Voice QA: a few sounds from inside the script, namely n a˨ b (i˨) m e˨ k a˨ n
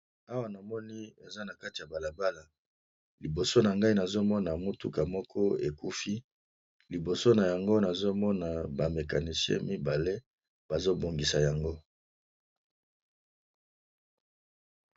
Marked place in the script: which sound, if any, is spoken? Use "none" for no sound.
a˨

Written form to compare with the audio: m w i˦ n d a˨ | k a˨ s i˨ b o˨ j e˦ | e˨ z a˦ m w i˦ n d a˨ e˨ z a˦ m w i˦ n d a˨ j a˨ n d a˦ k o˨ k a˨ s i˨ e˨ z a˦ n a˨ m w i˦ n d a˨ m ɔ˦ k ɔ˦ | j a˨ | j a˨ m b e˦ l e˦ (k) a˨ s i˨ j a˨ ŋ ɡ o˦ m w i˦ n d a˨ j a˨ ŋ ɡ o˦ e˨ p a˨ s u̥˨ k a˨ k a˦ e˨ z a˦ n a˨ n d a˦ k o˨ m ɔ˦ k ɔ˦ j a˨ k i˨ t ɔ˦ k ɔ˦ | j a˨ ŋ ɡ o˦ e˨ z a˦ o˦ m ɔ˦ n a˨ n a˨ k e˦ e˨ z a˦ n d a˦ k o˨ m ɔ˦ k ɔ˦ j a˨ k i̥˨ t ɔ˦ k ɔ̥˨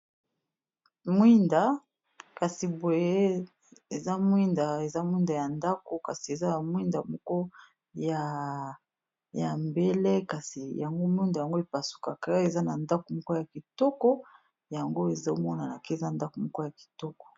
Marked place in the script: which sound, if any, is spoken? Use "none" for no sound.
k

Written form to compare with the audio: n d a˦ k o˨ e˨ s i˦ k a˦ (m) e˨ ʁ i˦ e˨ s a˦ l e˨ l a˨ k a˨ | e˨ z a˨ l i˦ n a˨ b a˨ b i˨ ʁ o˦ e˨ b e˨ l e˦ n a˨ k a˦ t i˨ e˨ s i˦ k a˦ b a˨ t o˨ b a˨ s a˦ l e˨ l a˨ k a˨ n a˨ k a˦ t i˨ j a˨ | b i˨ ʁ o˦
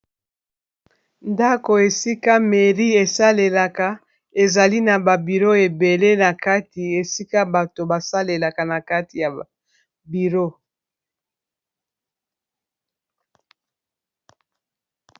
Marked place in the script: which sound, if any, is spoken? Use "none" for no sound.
m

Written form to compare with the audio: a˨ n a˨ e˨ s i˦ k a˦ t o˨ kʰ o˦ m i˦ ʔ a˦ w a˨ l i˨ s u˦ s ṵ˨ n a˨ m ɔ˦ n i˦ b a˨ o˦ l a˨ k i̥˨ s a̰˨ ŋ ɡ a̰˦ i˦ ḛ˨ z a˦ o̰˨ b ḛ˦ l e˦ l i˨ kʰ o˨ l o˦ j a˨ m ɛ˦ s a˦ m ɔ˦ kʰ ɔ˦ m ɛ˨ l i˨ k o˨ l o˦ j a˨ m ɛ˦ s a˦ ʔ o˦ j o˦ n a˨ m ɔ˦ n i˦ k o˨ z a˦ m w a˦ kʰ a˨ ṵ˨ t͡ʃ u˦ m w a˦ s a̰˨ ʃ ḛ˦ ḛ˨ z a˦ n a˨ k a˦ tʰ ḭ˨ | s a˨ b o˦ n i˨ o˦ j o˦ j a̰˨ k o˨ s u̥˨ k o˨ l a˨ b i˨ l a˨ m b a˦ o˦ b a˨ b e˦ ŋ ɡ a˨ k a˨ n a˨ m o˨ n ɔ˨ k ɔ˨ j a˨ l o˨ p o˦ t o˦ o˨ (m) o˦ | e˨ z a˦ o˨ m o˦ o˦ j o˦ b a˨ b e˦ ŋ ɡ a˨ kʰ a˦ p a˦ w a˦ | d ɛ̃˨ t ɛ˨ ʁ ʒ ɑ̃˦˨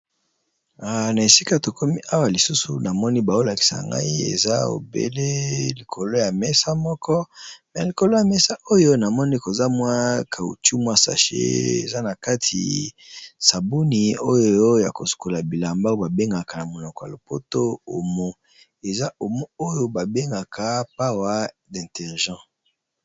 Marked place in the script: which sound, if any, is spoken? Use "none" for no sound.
m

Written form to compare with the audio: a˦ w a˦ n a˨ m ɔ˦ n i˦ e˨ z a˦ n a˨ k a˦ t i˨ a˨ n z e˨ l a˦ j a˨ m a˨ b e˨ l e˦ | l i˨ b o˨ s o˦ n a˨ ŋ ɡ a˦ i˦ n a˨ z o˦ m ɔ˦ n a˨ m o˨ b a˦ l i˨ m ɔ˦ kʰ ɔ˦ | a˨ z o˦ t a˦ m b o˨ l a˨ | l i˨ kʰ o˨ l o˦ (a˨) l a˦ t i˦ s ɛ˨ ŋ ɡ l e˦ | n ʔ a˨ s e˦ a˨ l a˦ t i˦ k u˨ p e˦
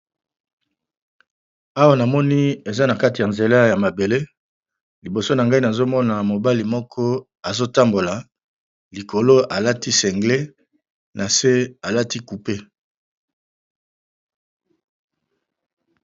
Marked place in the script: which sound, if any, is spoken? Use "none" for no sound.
a˨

